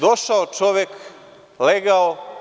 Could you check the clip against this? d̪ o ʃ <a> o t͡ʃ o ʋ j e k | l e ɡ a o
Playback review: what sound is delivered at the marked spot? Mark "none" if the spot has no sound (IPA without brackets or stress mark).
a